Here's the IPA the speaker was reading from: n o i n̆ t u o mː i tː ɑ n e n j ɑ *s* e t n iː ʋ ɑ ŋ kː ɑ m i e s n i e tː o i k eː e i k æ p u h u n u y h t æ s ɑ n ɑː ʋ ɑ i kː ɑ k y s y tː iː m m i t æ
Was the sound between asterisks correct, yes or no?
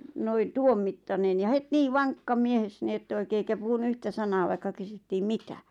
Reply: no